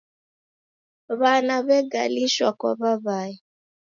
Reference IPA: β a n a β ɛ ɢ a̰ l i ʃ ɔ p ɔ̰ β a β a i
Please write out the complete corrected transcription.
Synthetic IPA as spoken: β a n a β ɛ ɡ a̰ l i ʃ ɔ k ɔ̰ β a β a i